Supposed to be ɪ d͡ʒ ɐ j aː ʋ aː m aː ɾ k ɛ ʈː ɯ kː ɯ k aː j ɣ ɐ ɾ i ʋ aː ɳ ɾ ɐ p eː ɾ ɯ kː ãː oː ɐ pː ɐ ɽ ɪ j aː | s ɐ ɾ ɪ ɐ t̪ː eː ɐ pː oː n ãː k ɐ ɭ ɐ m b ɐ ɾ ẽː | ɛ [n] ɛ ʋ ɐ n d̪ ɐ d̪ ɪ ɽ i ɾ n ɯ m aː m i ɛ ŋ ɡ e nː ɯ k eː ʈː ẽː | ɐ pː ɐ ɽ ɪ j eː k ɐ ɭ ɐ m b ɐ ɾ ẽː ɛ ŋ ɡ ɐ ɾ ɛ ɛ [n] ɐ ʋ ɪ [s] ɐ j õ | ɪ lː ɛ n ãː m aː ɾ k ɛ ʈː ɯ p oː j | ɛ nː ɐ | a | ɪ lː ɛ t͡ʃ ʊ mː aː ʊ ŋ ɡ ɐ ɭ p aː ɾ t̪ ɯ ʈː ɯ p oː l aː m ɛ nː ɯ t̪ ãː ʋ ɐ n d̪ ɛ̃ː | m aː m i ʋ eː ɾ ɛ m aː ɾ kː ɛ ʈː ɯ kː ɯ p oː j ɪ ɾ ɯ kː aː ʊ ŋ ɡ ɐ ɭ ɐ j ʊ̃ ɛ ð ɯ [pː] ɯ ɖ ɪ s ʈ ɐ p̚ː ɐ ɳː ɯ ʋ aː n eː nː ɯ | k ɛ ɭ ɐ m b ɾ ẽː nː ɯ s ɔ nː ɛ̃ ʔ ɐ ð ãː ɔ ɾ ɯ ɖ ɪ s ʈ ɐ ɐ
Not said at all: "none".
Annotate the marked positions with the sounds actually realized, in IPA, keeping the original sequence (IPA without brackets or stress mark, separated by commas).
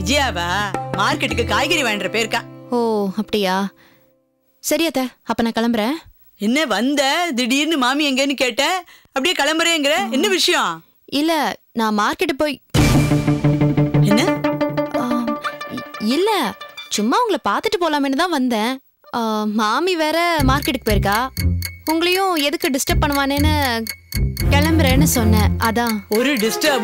nː, nː, ʂ, kː